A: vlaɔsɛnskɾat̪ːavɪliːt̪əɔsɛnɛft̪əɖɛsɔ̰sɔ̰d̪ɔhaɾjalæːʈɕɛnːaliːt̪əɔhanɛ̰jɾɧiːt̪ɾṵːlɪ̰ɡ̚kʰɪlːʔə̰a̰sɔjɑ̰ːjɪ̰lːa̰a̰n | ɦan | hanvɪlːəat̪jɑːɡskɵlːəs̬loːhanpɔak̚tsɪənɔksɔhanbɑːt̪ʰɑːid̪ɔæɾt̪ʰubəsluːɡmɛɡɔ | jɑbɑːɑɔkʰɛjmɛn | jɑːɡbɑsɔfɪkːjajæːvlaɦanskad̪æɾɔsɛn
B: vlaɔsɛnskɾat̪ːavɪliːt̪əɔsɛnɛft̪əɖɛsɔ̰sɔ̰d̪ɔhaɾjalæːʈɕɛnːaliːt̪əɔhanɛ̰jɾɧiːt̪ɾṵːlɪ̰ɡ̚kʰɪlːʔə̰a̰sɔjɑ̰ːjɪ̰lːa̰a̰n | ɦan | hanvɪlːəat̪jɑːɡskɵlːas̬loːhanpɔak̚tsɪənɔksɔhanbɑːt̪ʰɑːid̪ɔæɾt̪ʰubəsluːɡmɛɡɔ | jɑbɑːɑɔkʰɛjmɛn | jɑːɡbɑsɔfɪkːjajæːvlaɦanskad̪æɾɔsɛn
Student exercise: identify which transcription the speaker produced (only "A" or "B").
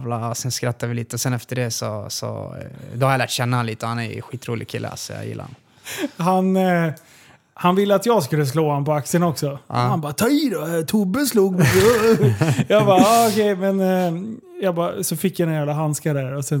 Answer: A